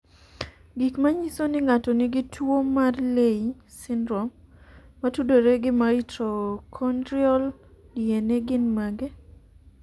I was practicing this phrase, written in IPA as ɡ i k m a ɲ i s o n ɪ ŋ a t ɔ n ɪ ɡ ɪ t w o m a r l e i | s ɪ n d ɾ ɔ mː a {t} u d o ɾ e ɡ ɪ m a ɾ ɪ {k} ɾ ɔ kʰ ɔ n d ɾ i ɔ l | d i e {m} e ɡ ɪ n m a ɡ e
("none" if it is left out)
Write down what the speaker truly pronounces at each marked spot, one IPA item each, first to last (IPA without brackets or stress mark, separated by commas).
t, t, n